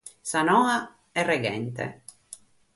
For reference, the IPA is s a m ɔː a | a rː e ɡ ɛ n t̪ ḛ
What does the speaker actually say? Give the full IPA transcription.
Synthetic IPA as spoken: s a n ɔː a | ɛ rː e ɡ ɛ n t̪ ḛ